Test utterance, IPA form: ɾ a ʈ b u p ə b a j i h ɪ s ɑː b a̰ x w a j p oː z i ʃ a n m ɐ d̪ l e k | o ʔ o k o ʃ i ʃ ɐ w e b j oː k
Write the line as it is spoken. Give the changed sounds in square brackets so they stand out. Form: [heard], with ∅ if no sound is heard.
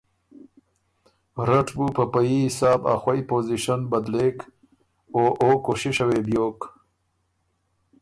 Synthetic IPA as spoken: ɾ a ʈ b u p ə [p] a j i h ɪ s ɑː b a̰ x w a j p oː z i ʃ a n [b] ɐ d̪ l e k | o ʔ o k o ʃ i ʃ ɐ w e b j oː k